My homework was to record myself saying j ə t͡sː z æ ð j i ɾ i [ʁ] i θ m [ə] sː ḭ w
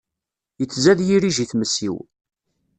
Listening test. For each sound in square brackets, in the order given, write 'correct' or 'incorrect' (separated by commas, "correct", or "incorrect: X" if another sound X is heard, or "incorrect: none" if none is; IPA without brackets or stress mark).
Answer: incorrect: ʒ, correct